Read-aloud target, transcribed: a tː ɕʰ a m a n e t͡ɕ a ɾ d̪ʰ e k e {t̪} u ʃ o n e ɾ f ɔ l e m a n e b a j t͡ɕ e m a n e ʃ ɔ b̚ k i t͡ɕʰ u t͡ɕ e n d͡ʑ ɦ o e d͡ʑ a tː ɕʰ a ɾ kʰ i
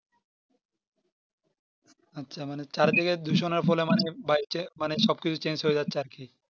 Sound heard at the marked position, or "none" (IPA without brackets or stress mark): d̪